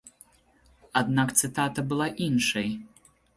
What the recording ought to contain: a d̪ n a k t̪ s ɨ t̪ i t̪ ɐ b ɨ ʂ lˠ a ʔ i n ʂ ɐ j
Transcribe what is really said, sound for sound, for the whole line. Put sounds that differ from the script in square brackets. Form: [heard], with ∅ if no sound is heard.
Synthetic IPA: a d̪ n a k t̪ s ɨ t̪ [a] t̪ ɐ b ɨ [∅] lˠ a ʔ i n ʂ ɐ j